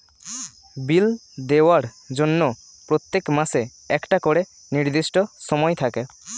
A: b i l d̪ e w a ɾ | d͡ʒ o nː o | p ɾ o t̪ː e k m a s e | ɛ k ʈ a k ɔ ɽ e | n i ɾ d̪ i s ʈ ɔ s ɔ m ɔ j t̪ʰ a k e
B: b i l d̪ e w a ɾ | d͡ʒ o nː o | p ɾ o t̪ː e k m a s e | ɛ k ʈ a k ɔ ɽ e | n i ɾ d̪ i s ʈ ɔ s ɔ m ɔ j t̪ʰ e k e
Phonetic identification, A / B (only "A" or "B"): A